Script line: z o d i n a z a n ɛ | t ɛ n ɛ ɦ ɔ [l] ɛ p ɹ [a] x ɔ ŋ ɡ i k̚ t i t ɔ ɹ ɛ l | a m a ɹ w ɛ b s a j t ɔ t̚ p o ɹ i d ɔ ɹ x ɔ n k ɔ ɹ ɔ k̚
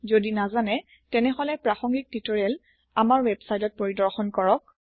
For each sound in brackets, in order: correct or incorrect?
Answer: correct, correct

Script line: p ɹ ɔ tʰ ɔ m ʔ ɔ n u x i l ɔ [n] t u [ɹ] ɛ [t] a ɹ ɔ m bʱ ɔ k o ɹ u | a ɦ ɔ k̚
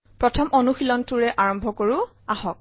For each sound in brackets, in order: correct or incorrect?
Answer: correct, correct, incorrect

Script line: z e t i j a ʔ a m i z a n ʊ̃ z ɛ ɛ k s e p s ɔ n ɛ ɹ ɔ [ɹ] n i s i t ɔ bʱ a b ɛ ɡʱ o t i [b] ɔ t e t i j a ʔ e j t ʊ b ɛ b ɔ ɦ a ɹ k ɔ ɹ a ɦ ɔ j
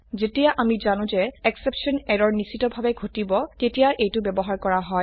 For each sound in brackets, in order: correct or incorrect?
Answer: correct, correct

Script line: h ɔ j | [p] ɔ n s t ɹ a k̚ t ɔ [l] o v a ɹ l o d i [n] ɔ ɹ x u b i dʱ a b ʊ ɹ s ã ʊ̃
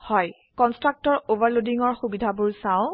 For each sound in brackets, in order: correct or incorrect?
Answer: incorrect, incorrect, incorrect

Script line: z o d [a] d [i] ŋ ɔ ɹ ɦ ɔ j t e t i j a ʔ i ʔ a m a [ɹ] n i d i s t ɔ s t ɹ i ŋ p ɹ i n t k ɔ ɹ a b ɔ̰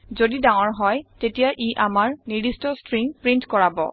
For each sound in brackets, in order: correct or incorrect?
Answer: incorrect, incorrect, correct

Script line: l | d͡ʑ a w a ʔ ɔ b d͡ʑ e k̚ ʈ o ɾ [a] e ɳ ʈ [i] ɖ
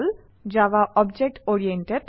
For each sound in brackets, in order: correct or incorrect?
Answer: incorrect, incorrect

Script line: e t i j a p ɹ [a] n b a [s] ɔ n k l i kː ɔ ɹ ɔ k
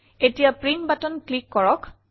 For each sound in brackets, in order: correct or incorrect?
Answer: incorrect, incorrect

